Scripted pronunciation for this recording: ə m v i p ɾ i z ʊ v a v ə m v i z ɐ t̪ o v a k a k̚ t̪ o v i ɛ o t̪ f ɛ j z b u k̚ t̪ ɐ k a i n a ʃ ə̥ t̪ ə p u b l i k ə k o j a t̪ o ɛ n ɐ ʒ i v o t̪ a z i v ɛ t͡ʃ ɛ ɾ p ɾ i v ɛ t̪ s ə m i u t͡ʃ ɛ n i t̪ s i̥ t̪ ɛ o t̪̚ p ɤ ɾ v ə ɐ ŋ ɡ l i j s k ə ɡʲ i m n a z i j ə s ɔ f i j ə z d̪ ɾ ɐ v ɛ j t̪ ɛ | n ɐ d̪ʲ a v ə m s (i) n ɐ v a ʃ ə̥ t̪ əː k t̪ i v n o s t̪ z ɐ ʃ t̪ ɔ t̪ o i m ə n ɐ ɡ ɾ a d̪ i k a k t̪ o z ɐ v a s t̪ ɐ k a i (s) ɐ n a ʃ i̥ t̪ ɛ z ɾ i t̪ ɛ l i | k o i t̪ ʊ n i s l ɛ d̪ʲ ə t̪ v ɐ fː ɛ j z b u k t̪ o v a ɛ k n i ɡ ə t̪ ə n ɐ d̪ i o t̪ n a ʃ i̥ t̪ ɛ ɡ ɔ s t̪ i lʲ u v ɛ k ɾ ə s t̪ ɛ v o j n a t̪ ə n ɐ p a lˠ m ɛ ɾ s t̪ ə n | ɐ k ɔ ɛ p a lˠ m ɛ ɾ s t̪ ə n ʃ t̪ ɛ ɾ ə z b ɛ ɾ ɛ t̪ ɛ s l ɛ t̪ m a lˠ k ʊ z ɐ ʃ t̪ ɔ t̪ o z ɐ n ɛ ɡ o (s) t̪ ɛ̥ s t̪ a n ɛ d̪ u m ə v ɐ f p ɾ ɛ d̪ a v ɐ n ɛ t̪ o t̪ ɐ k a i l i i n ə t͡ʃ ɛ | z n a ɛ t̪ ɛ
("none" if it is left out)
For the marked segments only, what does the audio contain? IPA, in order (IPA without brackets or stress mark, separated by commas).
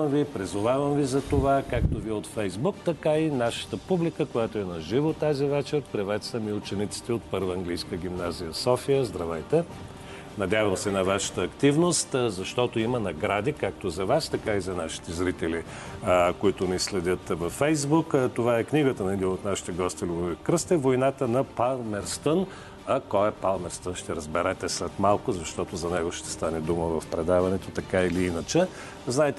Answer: ɛ, z, ʃ